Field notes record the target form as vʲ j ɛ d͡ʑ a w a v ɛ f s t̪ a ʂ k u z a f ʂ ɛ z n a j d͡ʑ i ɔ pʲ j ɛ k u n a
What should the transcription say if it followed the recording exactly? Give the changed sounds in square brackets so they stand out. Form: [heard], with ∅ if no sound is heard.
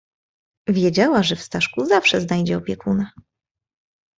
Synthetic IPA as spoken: vʲ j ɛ d͡ʑ a w a [ʐ] ɛ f s t̪ a ʂ k u z a f ʂ ɛ z n a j d͡ʑ [ɛ] ɔ pʲ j ɛ k u n a